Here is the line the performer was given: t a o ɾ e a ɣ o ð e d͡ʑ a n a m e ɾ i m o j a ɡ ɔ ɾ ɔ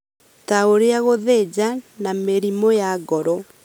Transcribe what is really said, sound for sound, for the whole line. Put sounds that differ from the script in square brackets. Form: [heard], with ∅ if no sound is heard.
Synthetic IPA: t a o ɾ e a ɣ o ð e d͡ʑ a n a m e ɾ i m o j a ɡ ɔ ɾ ɔ